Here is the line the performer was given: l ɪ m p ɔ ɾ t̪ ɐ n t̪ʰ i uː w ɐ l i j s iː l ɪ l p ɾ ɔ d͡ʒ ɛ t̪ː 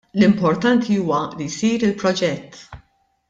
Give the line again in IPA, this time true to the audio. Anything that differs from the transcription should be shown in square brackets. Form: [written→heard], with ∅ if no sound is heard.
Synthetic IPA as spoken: l ɪ m p ɔ ɾ t̪ ɐ n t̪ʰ i uː w ɐ l i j s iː [l→ɾ] ɪ l p ɾ ɔ d͡ʒ ɛ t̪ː